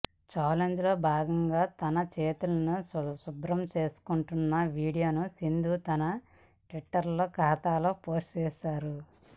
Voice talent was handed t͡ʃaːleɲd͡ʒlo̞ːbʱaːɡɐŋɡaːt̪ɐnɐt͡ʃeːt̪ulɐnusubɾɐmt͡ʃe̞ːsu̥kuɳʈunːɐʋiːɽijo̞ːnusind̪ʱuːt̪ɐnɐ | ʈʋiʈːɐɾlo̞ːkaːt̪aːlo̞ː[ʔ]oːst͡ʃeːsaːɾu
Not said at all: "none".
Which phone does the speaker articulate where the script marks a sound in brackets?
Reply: p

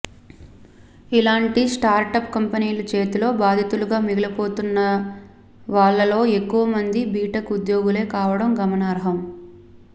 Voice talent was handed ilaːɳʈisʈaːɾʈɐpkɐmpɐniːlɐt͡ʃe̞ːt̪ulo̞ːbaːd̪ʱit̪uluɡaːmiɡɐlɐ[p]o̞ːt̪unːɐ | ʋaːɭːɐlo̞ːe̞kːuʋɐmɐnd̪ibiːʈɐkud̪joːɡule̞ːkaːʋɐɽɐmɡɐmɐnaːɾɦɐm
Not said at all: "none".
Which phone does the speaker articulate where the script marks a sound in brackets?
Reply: p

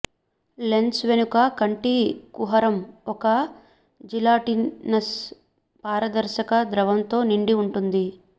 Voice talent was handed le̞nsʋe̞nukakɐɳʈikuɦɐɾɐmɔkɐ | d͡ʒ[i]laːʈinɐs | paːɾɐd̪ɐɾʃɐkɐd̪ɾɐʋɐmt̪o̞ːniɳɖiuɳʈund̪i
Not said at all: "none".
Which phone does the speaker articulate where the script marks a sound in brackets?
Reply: i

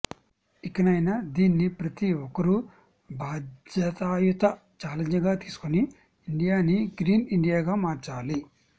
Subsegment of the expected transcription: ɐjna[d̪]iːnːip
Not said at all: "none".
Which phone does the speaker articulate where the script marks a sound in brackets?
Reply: d̪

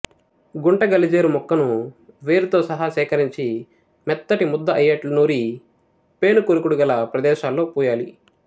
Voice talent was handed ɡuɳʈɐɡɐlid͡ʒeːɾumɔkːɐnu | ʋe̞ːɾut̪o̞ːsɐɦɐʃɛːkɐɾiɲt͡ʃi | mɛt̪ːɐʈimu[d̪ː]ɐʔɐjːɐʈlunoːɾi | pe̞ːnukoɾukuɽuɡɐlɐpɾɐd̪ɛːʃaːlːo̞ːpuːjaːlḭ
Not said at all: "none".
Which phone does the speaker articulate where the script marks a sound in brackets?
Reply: d̪ː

